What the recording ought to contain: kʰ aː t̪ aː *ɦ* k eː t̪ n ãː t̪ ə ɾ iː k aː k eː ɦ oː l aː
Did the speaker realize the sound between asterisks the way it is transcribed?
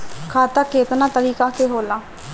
no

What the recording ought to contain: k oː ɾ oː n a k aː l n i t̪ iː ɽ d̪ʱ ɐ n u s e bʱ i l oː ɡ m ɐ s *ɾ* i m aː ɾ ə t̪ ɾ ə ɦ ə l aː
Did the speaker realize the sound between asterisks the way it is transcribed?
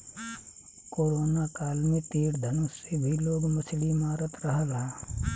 no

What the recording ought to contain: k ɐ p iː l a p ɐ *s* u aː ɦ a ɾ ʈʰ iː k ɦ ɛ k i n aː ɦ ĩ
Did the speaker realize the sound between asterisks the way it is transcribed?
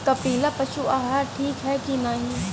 no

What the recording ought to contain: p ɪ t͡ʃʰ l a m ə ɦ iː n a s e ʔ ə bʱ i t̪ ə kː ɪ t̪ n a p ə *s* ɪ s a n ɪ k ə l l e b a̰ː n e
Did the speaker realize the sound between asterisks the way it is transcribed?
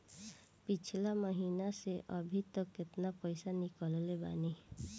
no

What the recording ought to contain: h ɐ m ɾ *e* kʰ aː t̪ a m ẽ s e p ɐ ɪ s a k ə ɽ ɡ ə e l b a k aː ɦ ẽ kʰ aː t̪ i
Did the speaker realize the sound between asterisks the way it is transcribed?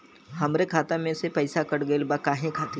yes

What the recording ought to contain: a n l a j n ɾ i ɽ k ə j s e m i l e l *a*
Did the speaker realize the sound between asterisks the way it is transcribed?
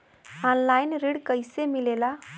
yes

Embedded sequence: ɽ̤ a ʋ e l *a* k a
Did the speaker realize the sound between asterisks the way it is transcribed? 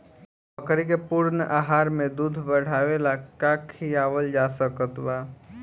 yes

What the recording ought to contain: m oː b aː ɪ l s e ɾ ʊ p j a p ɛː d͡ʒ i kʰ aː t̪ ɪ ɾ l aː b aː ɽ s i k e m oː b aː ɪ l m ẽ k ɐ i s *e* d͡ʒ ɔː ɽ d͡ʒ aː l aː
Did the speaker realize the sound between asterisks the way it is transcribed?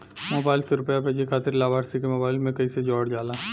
yes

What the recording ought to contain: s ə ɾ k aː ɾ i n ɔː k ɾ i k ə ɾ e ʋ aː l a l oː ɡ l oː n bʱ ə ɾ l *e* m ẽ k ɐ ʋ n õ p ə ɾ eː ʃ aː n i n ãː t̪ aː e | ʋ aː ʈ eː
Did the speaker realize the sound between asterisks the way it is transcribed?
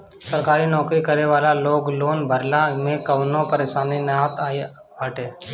no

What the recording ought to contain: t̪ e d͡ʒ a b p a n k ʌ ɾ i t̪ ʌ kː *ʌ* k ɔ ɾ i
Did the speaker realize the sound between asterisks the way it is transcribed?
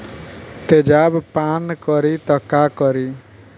no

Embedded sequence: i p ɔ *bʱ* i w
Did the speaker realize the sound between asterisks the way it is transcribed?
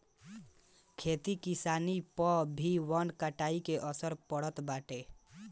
yes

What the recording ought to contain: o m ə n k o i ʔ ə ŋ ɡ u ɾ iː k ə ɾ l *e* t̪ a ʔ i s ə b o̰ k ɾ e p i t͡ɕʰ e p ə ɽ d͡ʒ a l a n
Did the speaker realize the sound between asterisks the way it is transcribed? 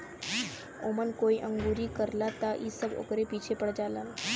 no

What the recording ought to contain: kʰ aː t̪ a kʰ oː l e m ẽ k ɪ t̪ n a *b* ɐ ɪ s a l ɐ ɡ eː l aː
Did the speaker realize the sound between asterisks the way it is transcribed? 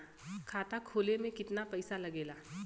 no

